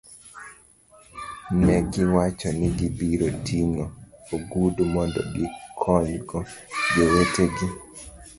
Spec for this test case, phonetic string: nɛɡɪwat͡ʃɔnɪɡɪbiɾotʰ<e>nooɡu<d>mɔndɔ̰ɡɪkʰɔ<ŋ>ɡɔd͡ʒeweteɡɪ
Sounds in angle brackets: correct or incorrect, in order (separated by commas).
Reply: incorrect, correct, incorrect